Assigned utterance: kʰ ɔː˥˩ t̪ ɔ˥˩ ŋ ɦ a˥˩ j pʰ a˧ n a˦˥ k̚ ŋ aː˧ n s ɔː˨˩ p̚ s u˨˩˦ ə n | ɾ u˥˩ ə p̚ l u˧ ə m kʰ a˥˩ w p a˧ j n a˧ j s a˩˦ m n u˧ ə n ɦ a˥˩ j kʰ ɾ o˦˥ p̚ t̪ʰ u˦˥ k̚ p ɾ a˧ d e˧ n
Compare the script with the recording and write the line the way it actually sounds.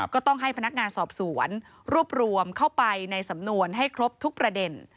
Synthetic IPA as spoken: k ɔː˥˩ t̪ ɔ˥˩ ŋ ɦ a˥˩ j pʰ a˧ n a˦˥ k̚ ŋ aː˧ n s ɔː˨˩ p̚ s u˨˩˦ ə n | ɾ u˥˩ ə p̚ ɾ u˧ ə m kʰ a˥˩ w p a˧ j n a˧ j s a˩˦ m n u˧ ə n ɦ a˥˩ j kʰ ɾ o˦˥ p̚ t̪ʰ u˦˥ k̚ p ɾ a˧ d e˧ n